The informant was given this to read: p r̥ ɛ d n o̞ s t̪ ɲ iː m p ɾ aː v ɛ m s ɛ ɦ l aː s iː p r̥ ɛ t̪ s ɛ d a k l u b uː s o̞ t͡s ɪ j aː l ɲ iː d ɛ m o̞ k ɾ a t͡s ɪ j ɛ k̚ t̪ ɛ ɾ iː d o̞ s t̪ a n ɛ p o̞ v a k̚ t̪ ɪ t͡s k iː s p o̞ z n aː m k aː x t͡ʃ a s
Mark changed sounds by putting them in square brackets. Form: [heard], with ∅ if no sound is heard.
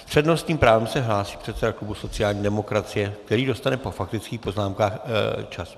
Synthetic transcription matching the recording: p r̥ ɛ d n o̞ s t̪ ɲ iː m p ɾ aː v ɛ m s ɛ ɦ l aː s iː p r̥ ɛ t̪ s ɛ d a k l u b [u] s o̞ t͡s ɪ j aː l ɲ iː d ɛ m o̞ k ɾ a t͡s ɪ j ɛ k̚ t̪ ɛ ɾ iː d o̞ s t̪ a n ɛ p o̞ [f] a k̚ t̪ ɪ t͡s k iː [x] p o̞ z n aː m k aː x t͡ʃ a s

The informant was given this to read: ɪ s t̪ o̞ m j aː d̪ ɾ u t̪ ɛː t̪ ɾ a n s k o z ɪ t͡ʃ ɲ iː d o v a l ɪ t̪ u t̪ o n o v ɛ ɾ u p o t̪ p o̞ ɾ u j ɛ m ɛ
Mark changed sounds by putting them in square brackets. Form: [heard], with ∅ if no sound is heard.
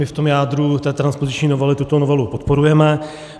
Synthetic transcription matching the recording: ɪ [f] t̪ o̞ m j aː d̪ ɾ u t̪ ɛː t̪ ɾ a n s [p] o z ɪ t͡ʃ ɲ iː [n] o v [ɛ] l ɪ t̪ u t̪ o n o v ɛ [l] u p o t̪ p o̞ ɾ u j ɛ m ɛ

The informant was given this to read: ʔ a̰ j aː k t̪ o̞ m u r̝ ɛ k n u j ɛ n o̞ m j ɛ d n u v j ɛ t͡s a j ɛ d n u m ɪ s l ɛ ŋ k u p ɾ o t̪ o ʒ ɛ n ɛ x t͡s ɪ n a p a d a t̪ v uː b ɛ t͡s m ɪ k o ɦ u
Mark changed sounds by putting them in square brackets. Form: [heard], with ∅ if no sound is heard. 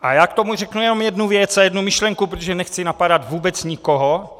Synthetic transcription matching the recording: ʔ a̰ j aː k t̪ o̞ m u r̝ ɛ k n u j ɛ n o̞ m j ɛ d n u v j ɛ t͡s a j ɛ d n u m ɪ [ʃ] l ɛ ŋ k u p ɾ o t̪ o ʒ ɛ n ɛ x t͡s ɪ n a p a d a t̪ v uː b ɛ t͡s [ɲ] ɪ k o ɦ [o]

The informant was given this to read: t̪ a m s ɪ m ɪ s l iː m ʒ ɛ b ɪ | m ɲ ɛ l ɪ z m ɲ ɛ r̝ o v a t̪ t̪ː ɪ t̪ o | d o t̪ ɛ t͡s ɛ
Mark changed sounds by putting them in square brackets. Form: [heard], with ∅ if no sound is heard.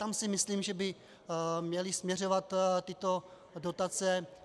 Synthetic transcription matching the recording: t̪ a m s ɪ m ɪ s l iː m ʒ ɛ b ɪ | m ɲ ɛ l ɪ [s] m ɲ ɛ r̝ o v a t̪ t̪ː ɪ t̪ o | d o t̪ [a] t͡s ɛ

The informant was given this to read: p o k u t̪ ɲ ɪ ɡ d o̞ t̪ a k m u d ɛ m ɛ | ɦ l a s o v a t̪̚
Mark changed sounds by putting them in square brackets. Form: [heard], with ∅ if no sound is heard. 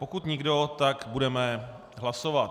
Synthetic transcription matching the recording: p o k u t̪ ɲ ɪ ɡ d o̞ t̪ a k [b] u d ɛ m ɛ | ɦ l a s o v a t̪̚

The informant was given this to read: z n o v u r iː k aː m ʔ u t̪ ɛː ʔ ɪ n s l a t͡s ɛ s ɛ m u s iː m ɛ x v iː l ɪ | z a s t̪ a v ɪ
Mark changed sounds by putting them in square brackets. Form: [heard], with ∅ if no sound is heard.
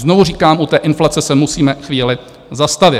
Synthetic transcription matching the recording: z n o v u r iː k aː m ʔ u t̪ ɛː ʔ ɪ n [f] l a t͡s ɛ s ɛ m u s iː m ɛ x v iː l ɪ | z a s t̪ a v ɪ

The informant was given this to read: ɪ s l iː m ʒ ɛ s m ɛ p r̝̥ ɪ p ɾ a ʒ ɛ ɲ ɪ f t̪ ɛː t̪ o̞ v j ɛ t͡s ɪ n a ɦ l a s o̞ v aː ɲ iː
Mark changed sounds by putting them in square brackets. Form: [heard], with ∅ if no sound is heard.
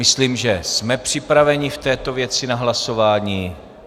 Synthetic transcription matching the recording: ɪ s l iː m ʒ ɛ s m ɛ p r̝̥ ɪ p ɾ a [v] ɛ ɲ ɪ f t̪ ɛː t̪ o̞ v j ɛ t͡s ɪ n a ɦ l a s o̞ v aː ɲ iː

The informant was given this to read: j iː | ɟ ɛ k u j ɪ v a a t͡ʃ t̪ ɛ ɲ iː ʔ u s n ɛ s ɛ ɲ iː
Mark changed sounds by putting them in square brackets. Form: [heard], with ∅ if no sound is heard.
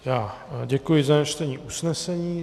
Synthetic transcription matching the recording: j [aː] | ɟ ɛ k u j ɪ [z] a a t͡ʃ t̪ ɛ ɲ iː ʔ u s n ɛ s ɛ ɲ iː

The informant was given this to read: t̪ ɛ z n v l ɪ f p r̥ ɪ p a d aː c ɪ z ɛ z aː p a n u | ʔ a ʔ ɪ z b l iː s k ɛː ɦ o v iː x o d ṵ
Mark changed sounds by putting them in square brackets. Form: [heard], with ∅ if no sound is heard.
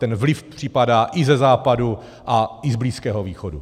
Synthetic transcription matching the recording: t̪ ɛ [∅] n v l ɪ f p r̥ ɪ p a d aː [ʔ] ɪ z ɛ z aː p a [d] u | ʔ a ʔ ɪ z b l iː s k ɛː ɦ o v iː x o d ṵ

